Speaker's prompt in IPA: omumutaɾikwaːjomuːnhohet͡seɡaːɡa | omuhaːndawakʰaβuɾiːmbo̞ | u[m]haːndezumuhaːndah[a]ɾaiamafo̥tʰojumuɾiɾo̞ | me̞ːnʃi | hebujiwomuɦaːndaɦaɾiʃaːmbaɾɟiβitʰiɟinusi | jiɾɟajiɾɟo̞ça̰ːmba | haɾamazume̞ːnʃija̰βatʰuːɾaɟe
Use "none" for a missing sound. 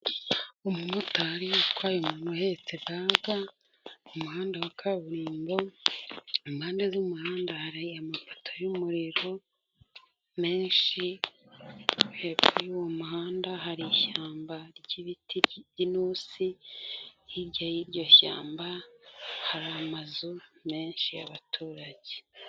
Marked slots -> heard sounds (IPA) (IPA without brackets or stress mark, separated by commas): m, a